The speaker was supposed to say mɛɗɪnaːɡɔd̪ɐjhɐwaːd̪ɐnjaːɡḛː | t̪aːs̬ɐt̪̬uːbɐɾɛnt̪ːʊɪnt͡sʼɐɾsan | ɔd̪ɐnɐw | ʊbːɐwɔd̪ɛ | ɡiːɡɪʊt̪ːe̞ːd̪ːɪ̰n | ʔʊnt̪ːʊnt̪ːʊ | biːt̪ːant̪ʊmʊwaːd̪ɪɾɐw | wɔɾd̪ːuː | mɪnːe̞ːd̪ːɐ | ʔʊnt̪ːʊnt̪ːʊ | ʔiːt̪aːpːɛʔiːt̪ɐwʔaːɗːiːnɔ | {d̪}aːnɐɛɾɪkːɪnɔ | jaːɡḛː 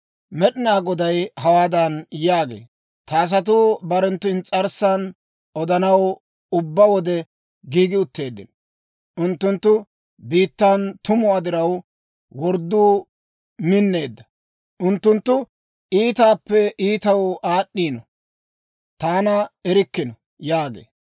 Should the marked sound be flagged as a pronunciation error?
yes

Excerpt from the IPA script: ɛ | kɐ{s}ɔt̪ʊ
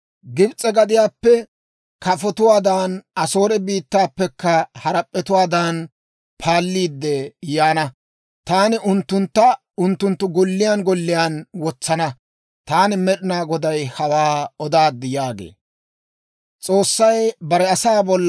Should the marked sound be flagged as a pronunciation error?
yes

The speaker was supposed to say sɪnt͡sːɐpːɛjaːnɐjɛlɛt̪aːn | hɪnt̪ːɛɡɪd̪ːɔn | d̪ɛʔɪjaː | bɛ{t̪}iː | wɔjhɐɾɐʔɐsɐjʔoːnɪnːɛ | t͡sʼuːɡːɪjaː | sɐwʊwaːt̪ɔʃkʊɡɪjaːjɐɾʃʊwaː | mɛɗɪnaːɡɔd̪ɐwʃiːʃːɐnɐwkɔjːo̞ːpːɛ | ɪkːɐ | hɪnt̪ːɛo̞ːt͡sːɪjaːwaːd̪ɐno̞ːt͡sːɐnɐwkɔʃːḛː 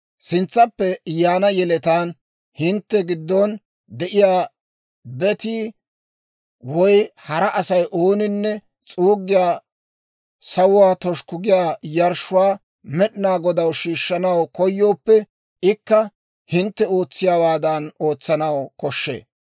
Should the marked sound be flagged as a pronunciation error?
no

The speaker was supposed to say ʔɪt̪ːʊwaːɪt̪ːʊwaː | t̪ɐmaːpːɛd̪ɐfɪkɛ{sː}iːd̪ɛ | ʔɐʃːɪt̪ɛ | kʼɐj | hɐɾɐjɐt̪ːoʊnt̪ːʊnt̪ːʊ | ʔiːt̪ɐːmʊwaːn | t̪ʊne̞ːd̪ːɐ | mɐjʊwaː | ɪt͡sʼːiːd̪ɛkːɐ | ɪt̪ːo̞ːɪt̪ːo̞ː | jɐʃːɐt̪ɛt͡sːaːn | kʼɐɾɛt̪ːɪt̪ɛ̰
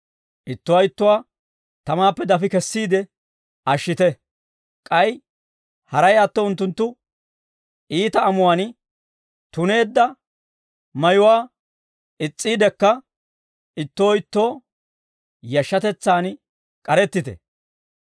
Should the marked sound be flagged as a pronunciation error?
no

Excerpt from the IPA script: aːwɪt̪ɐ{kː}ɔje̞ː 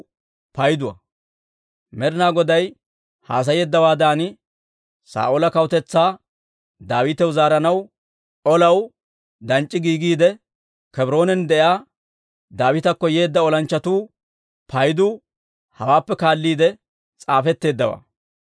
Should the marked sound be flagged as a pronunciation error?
no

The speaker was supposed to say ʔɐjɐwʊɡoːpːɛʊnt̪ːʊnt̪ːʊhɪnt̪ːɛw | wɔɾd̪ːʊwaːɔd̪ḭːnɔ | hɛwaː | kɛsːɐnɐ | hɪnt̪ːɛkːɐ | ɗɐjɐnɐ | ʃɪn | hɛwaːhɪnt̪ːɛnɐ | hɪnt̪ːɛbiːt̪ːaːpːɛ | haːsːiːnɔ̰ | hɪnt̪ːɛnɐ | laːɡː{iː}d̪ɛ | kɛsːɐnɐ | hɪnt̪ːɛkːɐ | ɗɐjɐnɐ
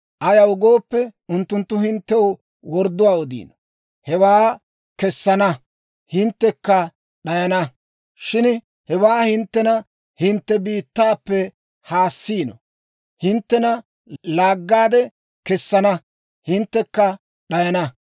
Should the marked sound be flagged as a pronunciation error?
yes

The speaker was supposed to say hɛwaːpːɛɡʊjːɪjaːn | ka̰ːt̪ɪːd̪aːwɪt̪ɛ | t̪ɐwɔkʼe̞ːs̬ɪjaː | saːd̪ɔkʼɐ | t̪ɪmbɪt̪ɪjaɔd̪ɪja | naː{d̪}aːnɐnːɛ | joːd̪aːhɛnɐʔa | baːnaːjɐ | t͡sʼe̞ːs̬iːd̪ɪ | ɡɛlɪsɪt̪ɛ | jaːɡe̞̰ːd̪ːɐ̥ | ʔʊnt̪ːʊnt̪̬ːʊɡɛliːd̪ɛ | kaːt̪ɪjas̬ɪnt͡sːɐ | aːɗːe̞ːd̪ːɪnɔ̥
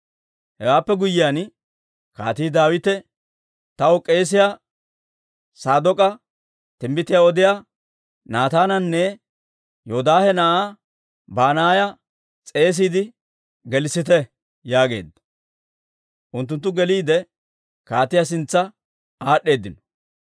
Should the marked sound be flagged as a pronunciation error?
yes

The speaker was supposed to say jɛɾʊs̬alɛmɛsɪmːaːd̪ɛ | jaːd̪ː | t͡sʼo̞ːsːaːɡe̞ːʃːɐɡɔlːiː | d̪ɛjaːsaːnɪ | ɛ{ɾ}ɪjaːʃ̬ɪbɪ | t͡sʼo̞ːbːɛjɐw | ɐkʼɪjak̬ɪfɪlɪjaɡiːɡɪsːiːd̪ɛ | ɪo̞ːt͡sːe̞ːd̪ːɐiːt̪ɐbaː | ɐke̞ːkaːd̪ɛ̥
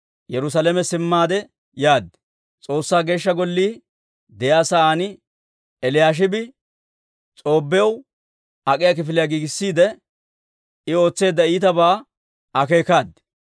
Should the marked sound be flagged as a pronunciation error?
yes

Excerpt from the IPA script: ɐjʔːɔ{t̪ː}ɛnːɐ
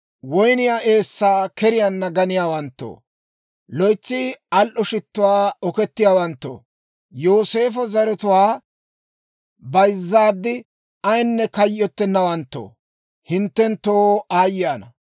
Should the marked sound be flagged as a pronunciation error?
no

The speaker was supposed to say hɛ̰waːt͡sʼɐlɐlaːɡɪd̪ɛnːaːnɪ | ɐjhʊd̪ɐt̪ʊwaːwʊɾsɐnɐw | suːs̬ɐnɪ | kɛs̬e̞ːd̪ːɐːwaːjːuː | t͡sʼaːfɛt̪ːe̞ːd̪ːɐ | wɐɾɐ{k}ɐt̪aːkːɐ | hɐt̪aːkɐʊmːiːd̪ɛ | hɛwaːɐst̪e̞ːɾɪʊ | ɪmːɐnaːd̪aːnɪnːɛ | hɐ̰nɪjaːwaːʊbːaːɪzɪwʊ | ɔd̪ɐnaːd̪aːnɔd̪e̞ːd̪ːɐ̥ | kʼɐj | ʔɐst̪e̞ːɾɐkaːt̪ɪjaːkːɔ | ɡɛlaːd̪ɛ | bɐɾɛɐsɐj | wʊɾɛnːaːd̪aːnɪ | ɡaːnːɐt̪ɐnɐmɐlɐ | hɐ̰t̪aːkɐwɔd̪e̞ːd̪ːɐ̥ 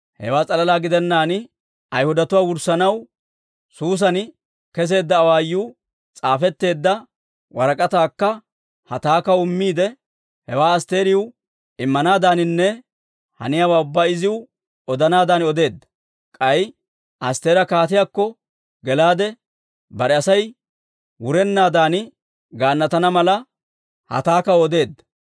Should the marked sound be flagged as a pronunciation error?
yes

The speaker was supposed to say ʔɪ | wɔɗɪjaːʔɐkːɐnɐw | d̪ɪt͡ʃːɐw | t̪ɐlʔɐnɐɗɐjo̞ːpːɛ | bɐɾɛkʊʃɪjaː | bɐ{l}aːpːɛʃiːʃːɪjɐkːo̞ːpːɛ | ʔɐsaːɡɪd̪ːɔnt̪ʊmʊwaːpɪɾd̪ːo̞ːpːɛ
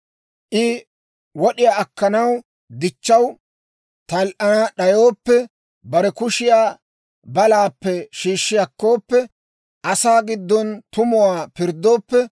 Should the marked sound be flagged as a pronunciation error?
no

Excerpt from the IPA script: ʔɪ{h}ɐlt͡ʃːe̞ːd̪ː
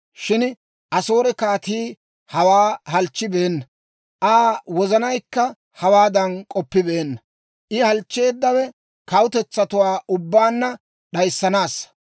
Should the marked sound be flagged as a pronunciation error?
no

